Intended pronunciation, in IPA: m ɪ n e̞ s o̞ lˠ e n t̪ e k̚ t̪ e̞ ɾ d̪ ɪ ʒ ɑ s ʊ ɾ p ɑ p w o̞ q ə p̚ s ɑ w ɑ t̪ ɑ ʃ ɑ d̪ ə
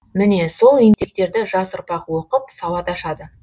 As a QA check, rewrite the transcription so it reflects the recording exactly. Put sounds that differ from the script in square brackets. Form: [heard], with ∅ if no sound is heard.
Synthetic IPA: m ɪ n e̞ s o̞ lˠ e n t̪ e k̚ t̪ e̞ ɾ d̪ ɪ ʒ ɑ s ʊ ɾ p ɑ [q] w o̞ q ə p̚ s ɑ w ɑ t̪ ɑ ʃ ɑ d̪ ə